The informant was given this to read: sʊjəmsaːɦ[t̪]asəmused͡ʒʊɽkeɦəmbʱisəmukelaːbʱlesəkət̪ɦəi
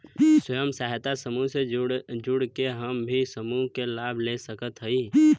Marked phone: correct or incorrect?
correct